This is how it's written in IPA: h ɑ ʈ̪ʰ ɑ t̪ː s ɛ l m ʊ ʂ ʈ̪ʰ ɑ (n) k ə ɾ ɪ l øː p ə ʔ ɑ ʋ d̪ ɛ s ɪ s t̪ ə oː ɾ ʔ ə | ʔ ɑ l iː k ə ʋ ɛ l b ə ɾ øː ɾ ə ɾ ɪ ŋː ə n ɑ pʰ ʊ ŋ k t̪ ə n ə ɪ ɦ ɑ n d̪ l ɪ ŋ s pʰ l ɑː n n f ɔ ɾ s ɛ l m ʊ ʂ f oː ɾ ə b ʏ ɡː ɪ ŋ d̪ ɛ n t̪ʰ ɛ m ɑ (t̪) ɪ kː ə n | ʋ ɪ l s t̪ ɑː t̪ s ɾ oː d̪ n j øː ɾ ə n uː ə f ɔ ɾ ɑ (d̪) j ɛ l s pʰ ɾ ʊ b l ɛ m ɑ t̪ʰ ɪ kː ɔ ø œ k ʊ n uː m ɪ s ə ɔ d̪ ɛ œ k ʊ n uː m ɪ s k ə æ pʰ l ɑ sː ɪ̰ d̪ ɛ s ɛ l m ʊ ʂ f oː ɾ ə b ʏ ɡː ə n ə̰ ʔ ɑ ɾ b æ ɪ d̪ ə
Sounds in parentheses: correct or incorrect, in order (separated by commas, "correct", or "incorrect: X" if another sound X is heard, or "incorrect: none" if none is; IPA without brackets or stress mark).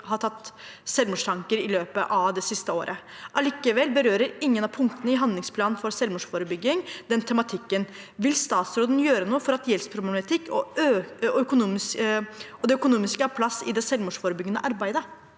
incorrect: ŋ, incorrect: t̪ʰ, incorrect: t̪